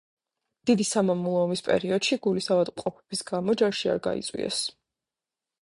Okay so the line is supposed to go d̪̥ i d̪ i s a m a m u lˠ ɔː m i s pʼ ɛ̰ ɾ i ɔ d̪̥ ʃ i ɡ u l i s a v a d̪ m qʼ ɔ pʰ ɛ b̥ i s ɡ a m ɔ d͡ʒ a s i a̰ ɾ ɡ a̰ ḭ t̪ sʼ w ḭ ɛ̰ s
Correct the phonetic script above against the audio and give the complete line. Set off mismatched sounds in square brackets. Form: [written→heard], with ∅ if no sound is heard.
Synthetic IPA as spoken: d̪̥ i d̪ i s a m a m u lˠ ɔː m i s pʼ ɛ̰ ɾ i ɔ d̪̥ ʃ i ɡ u l i s a v a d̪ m qʼ ɔ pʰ ɛ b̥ i s ɡ a m ɔ d͡ʒ a [s→ʃ] i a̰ ɾ ɡ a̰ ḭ t̪ sʼ w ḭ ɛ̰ s

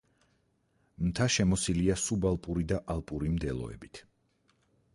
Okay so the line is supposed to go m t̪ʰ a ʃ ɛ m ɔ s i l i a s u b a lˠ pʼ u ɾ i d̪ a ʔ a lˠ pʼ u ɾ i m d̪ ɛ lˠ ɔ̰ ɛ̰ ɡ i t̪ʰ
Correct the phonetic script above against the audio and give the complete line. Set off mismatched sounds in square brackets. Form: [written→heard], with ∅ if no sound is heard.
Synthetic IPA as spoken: m t̪ʰ a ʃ ɛ m ɔ s i l i a s u b a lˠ pʼ u ɾ i d̪ a ʔ a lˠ pʼ u ɾ i m d̪ ɛ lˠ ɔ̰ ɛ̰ [ɡ→b] i t̪ʰ

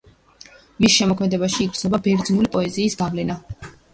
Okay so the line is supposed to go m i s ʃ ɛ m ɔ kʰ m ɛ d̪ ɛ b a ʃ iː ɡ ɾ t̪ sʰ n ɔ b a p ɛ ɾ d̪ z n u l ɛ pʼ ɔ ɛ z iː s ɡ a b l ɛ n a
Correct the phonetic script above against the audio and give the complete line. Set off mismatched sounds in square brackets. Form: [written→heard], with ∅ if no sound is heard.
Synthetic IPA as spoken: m i s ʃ ɛ m ɔ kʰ m ɛ d̪ ɛ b a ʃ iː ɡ ɾ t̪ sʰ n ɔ b a [p→b] ɛ ɾ d̪ z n u l [ɛ→i] pʼ ɔ ɛ z iː s ɡ a [b→v] l ɛ n a

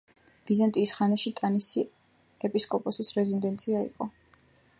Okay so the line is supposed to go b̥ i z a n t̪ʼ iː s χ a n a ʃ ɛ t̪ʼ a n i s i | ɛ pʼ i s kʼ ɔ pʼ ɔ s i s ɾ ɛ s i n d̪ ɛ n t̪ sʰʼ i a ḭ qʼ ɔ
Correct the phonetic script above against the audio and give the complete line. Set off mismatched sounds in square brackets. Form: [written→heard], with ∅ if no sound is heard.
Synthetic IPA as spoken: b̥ i z a n t̪ʼ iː s χ a n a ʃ [ɛ→i] t̪ʼ a n i s i | ɛ pʼ i s kʼ ɔ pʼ ɔ s i s ɾ ɛ [s→z] i n d̪ ɛ n t̪ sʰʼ i a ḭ qʼ ɔ

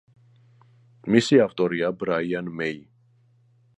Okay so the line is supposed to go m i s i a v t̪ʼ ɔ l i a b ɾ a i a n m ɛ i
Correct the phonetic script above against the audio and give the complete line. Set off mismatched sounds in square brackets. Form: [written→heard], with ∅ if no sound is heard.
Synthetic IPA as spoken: m i s i a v t̪ʼ ɔ [l→ɾ] i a b ɾ a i a n m ɛ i

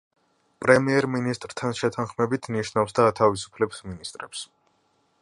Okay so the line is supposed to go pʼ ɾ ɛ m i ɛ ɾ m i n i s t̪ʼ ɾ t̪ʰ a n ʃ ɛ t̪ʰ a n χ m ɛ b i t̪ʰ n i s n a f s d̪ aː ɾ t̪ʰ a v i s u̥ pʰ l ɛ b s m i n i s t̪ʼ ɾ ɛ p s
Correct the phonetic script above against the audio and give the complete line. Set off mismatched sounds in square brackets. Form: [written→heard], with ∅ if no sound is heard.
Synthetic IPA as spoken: pʼ ɾ ɛ m i ɛ ɾ m i n i s t̪ʼ ɾ t̪ʰ a n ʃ ɛ t̪ʰ a n χ m ɛ b i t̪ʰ n i [s→ʃ] n a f s d̪ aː [ɾ→∅] t̪ʰ a v i s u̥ pʰ l ɛ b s m i n i s t̪ʼ ɾ ɛ p s

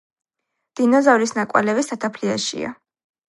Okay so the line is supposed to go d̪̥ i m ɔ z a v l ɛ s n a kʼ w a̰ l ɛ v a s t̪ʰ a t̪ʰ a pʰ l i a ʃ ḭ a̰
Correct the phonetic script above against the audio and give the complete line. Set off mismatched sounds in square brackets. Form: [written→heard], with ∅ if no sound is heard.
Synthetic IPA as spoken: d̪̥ i [m→n] ɔ z a v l [ɛ→i] s n a kʼ w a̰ l ɛ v [a→i] s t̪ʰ a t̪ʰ a pʰ l i a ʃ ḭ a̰

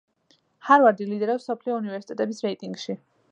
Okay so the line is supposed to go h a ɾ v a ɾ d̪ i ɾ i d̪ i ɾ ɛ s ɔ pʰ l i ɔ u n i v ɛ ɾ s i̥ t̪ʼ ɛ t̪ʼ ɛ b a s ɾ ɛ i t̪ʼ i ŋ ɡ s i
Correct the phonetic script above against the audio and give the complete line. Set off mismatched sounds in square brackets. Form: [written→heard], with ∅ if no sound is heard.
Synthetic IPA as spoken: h a ɾ v a ɾ d̪ i [ɾ→l] i d̪ [i→ɛ] ɾ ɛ s ɔ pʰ l i ɔ u n i v ɛ ɾ s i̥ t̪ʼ ɛ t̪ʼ ɛ b [a→i] s ɾ ɛ i t̪ʼ i ŋ ɡ [s→ʃ] i

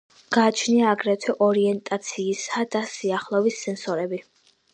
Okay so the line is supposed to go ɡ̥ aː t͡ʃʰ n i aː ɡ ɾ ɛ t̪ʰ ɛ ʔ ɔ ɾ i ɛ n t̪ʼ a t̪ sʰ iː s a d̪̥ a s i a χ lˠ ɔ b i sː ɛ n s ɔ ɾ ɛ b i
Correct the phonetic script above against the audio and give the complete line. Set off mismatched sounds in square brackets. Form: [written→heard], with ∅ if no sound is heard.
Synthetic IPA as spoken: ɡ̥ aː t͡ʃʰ n i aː ɡ ɾ ɛ t̪ʰ ɛ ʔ ɔ ɾ i ɛ n t̪ʼ a t̪ sʰ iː s a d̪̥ a s i a χ lˠ ɔ [b→v] i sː ɛ n s ɔ ɾ ɛ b i

